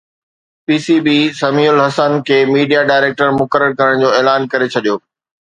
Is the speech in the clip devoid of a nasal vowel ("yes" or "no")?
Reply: yes